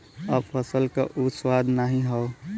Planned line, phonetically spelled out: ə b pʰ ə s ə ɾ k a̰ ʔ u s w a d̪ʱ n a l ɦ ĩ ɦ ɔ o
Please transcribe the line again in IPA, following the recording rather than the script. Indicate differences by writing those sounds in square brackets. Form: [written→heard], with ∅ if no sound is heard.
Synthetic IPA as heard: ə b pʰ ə s ə [ɾ→l] k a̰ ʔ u s w a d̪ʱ n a [l→∅] ɦ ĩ ɦ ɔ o